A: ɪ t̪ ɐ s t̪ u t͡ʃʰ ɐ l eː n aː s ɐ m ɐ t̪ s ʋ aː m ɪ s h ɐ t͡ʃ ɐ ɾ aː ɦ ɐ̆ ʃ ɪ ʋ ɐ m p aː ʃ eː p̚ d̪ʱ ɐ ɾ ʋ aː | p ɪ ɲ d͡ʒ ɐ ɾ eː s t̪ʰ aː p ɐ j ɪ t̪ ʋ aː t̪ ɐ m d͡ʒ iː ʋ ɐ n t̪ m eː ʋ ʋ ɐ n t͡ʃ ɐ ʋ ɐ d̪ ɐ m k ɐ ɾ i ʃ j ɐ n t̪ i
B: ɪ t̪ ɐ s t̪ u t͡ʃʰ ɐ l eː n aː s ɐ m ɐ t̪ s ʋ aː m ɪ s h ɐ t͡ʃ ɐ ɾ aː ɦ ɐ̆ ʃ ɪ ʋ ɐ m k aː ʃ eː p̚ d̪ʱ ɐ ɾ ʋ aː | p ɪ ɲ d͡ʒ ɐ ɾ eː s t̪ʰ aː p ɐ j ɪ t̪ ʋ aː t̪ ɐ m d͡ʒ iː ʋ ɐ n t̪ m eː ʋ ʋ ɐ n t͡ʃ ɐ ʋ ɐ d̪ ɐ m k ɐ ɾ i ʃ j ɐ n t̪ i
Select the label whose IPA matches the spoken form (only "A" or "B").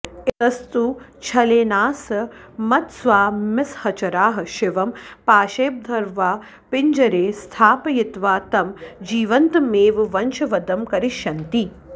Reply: A